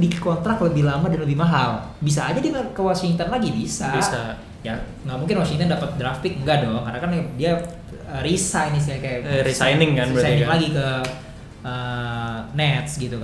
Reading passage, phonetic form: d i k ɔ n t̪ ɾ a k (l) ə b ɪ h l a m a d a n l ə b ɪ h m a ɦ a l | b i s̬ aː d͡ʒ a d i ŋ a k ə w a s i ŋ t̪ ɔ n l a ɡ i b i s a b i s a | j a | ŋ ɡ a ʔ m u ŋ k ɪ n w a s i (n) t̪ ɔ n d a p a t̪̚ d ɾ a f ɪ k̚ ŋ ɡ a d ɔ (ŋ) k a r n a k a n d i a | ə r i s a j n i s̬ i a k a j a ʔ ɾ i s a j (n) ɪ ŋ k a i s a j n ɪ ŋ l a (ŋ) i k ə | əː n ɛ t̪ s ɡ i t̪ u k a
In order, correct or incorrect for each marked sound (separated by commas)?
correct, incorrect, correct, correct, incorrect